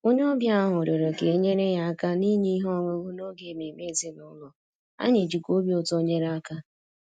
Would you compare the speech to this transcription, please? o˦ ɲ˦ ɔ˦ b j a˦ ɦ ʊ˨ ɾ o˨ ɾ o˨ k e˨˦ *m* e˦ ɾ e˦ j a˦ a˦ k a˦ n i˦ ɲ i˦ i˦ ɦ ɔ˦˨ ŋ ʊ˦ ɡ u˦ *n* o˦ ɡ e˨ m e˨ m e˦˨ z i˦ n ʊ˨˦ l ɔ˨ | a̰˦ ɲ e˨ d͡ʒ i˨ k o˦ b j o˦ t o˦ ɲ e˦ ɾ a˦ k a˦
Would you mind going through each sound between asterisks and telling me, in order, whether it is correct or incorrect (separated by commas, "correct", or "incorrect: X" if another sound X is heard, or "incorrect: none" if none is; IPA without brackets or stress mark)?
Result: incorrect: ɲ, correct